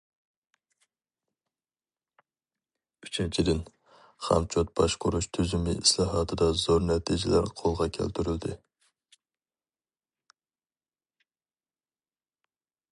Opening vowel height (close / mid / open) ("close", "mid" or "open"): close